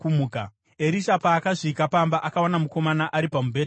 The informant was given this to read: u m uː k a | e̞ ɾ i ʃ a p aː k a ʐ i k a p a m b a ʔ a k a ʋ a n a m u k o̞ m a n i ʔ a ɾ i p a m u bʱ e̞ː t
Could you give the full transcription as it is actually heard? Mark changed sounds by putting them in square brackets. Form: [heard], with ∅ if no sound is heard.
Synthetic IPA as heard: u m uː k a | e̞ ɾ i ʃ a p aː k a ʐ i k a p a m b a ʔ a k a [w] a n a m u k o̞ m a n [a] ʔ a ɾ i p a m u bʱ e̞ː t